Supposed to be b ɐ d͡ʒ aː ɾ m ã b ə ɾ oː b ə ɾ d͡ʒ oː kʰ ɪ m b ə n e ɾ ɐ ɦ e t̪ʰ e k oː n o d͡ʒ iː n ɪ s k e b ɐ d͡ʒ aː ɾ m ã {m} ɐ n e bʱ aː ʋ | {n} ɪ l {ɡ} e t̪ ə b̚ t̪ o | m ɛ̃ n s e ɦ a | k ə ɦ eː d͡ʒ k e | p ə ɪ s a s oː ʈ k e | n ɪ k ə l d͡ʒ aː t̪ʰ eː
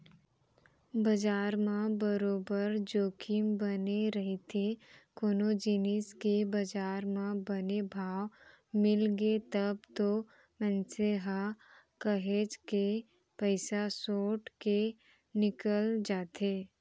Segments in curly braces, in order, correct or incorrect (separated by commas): incorrect, incorrect, correct